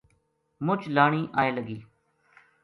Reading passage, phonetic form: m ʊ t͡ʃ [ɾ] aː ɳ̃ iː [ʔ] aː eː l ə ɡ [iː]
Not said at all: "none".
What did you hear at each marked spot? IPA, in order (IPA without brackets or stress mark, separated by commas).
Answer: l, ʔ, iː